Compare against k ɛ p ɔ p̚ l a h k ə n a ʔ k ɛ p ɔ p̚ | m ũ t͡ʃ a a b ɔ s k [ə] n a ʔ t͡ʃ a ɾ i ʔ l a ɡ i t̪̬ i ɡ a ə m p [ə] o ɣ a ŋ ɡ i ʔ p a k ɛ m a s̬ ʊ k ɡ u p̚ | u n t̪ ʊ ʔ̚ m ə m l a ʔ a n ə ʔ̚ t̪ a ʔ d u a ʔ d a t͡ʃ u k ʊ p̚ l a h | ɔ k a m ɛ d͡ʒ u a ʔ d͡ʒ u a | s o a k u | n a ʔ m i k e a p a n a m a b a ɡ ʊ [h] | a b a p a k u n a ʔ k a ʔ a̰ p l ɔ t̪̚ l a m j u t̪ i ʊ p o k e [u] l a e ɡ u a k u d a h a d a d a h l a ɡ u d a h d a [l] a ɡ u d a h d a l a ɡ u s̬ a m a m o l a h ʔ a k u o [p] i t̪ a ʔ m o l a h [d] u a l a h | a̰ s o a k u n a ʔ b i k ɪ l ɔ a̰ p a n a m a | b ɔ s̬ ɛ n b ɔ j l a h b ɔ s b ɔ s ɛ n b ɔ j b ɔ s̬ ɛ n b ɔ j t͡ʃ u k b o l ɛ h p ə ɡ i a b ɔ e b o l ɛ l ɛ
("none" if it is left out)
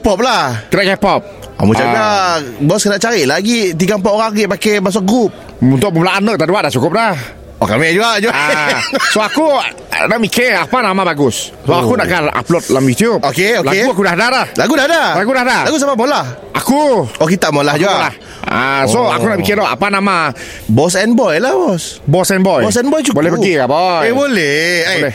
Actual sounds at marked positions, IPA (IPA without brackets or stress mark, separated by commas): ə, a, s, o, l, k, d͡ʒ